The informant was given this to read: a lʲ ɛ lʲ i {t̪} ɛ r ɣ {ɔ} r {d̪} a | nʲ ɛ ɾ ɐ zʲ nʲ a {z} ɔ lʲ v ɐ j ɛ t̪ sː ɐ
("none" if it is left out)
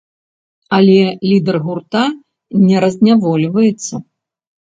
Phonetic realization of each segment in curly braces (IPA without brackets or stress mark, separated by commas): d̪, u, t̪, v